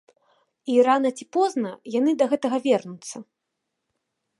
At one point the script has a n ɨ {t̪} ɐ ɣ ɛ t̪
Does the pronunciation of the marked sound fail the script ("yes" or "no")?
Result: yes